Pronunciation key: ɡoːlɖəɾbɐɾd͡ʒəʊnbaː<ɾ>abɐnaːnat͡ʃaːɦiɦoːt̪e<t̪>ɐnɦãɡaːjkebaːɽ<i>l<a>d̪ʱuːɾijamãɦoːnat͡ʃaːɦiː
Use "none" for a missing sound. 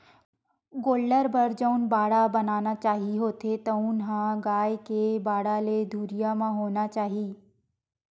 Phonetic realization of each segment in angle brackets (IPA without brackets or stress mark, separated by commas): ɽ, t̪, a, e